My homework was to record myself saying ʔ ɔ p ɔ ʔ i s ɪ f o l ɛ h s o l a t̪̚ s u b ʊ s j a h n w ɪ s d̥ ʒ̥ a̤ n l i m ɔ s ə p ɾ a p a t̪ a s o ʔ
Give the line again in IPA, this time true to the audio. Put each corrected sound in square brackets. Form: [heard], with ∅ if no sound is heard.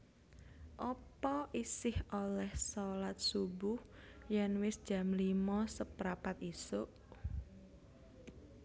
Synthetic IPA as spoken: ʔ ɔ p ɔ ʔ i s ɪ [h] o l ɛ h s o l a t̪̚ s u b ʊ [h] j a [∅] n w ɪ s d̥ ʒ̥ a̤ [m] l i m ɔ s ə p ɾ a p a t̪ [i] s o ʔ